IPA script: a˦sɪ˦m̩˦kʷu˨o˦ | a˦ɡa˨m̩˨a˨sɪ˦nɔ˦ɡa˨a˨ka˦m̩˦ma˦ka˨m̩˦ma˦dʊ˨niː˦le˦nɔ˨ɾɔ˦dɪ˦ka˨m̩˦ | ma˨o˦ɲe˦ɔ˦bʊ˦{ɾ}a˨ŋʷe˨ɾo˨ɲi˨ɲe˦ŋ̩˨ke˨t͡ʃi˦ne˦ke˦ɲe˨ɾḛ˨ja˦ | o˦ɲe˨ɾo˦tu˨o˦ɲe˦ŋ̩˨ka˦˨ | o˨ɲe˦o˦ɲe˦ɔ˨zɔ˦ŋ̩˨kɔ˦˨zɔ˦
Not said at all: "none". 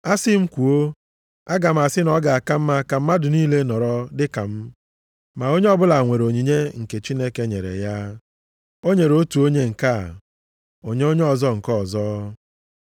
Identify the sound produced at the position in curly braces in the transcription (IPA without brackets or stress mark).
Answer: l